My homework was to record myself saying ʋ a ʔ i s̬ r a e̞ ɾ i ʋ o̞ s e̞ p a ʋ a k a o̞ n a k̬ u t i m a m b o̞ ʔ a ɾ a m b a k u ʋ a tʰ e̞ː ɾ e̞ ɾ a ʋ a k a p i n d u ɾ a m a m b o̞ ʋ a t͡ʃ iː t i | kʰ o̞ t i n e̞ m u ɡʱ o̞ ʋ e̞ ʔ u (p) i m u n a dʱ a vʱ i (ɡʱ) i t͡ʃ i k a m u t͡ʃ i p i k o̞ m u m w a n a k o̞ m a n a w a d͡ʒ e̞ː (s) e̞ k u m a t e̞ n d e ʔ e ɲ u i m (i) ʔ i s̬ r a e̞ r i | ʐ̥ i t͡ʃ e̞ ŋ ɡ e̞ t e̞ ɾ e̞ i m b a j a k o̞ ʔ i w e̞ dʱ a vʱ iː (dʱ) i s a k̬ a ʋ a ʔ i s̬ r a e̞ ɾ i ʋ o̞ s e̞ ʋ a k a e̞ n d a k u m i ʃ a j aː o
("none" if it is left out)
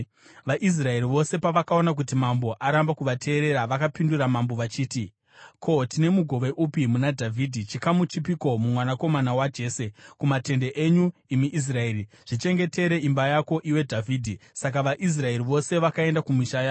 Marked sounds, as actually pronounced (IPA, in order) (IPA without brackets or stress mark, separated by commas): p, dʱ, s, i, dʱ